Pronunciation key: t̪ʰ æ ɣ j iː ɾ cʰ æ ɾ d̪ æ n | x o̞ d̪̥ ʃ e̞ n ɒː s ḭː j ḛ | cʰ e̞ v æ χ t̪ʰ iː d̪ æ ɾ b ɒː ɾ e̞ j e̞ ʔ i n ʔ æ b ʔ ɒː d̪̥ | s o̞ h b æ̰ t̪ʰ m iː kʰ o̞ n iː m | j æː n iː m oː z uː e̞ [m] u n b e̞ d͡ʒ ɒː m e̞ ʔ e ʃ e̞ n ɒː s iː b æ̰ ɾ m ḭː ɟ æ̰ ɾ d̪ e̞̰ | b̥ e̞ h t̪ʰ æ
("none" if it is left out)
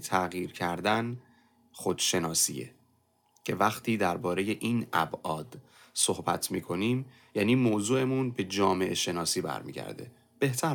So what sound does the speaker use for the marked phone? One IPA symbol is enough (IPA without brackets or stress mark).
m